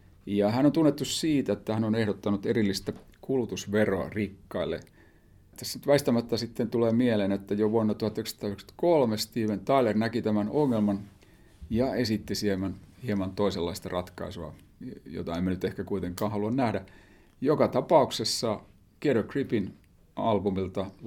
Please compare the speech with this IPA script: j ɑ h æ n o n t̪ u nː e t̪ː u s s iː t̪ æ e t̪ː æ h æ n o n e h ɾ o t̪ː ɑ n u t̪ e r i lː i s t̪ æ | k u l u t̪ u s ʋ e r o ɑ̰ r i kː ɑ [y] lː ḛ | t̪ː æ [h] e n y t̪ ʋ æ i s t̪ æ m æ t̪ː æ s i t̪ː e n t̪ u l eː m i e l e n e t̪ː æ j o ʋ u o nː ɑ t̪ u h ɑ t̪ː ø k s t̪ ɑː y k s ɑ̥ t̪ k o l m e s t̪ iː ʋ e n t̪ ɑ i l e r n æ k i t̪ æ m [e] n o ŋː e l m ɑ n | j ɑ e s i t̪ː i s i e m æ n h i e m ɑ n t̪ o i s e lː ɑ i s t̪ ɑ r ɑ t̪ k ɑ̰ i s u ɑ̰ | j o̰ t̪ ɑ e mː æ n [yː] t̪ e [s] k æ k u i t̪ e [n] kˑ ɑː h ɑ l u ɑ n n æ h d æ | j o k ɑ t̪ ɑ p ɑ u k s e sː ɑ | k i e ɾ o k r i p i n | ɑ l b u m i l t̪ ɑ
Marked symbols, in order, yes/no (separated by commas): no, no, no, no, no, no